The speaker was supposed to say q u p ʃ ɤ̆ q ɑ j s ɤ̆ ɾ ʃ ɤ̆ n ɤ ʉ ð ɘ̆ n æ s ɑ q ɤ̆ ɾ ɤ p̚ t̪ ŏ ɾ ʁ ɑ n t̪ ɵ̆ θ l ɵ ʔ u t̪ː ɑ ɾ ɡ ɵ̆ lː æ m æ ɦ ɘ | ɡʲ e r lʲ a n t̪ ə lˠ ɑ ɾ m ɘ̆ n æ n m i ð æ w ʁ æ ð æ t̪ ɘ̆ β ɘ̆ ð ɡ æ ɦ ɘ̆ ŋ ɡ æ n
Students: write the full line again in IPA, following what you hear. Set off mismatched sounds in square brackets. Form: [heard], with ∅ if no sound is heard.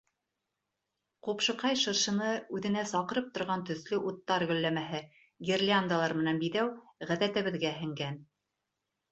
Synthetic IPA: q u p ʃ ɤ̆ q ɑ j [ʃ] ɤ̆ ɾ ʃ ɤ̆ n ɤ ʉ ð ɘ̆ n æ s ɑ q ɤ̆ ɾ ɤ p̚ t̪ ŏ ɾ ʁ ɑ n t̪ ɵ̆ θ l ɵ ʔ u t̪ː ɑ ɾ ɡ ɵ̆ lː æ m æ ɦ ɘ | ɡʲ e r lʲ a n [d̪] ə lˠ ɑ ɾ m ɘ̆ n æ n [b] i ð æ w ʁ æ ð æ t̪ ɘ̆ β ɘ̆ ð ɡ æ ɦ ɘ̆ ŋ ɡ æ n